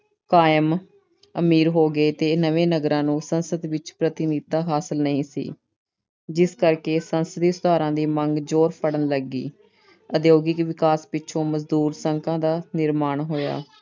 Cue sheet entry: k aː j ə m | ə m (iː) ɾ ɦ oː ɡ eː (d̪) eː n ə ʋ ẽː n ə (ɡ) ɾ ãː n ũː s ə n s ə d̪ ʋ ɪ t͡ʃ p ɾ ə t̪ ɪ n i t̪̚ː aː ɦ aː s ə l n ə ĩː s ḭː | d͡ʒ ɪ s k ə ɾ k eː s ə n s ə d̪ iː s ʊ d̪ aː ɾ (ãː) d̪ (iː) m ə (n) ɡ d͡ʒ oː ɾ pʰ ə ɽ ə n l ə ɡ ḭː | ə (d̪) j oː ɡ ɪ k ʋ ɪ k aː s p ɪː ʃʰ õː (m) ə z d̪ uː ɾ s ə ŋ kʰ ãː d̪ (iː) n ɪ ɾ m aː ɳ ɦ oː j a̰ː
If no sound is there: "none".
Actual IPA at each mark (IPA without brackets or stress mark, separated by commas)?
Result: iː, t̪, ɡ, ãː, iː, ŋ, d̪, m, aː